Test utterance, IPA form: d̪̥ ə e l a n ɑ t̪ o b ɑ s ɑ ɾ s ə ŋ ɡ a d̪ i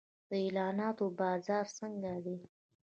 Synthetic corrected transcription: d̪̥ ə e l ɑ n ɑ t̪ o b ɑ z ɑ ɾ s ə ŋ ɡ a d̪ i